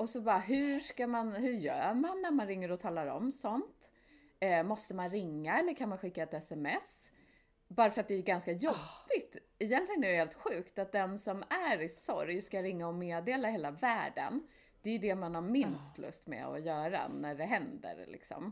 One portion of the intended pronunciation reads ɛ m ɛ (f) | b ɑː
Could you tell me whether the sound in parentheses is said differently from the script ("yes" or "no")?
yes